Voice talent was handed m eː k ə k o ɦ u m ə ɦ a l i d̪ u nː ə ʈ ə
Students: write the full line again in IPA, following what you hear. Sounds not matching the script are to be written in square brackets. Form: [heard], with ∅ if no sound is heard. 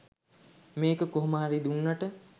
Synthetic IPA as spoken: m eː k ə k o ɦ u m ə ɦ a [ɾ] i d̪ u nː [a] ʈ ə